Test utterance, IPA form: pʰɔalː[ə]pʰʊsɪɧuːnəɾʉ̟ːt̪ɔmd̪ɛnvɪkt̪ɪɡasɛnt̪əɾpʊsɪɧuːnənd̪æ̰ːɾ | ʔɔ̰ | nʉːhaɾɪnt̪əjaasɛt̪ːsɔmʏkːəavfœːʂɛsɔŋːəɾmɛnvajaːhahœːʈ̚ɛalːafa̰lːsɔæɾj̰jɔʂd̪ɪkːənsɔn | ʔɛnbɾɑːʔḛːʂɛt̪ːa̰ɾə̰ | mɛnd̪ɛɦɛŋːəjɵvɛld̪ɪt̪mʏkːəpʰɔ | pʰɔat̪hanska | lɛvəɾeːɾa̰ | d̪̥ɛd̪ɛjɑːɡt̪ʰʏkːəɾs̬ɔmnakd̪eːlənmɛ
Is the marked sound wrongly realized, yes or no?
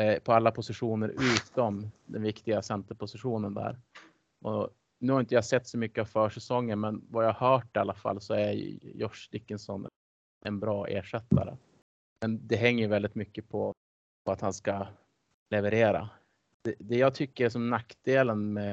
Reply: yes